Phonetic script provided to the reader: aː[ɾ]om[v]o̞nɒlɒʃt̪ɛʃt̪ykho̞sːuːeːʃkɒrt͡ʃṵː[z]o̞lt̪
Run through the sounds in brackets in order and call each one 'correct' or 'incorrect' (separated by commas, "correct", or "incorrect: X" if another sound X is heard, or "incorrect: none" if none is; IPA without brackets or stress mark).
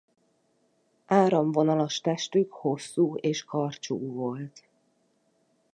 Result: correct, correct, incorrect: v